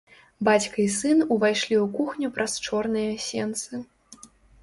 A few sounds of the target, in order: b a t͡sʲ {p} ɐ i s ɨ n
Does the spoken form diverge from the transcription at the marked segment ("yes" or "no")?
yes